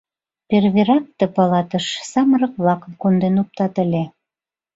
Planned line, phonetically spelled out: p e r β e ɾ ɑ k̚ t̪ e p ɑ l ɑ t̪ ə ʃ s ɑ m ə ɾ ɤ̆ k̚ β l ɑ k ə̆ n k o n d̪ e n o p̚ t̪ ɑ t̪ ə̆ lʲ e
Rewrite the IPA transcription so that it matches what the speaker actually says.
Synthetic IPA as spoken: p e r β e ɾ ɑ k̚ t̪ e p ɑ l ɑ t̪ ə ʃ s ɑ m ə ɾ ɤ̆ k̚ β l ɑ k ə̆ m k o n d̪ e n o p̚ t̪ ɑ t̪ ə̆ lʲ e